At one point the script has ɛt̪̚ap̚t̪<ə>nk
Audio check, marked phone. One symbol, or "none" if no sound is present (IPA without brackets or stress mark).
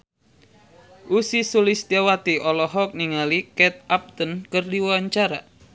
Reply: ə